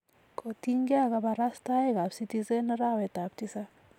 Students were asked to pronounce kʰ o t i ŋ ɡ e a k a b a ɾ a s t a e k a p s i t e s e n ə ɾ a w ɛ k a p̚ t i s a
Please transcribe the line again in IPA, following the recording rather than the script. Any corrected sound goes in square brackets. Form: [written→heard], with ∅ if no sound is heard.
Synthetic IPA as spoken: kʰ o t i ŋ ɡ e a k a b a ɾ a s t a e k a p s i t [e→i] s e n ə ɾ a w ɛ [k→t] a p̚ t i s a